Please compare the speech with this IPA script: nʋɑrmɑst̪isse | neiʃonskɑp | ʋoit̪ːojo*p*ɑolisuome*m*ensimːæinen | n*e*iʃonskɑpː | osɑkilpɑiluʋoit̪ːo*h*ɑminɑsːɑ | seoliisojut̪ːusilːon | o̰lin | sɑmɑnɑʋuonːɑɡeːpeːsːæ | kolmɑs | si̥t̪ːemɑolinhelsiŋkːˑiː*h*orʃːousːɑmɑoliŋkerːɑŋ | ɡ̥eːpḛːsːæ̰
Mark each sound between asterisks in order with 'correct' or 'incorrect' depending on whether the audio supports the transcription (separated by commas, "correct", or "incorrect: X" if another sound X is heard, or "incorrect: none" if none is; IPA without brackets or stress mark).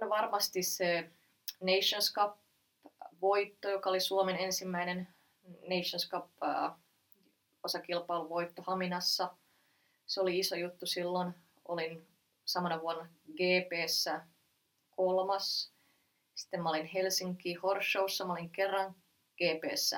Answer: incorrect: k, incorrect: n, correct, correct, correct